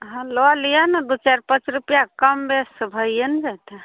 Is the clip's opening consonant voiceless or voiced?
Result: voiced